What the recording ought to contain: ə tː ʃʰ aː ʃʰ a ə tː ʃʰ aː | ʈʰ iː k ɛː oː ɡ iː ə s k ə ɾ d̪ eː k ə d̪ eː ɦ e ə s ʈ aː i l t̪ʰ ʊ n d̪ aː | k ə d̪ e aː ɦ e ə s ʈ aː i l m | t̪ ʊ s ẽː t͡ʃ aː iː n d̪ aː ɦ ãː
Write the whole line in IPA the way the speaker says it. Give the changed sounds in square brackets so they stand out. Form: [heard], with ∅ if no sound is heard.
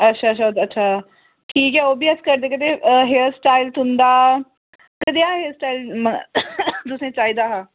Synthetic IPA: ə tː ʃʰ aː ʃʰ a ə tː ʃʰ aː | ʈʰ iː k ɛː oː [b] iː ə s k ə ɾ d̪ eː k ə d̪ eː ɦ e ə s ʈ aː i l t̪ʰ ʊ n d̪ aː | k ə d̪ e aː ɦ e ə s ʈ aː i l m | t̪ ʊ s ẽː t͡ʃ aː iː [∅] d̪ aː ɦ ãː